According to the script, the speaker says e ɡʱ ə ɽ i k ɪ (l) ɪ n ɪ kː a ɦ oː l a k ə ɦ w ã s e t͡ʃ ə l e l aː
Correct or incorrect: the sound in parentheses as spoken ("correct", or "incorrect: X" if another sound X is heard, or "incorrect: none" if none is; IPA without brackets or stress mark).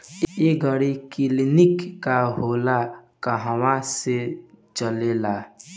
correct